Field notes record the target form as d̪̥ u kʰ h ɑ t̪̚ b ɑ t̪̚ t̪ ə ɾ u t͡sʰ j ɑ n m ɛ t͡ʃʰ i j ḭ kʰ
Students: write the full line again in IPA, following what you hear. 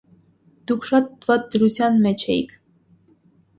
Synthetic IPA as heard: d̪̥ u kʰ ʃ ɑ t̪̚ v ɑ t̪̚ d̪ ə ɾ u t͡sʰ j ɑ n m ɛ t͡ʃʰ ɛ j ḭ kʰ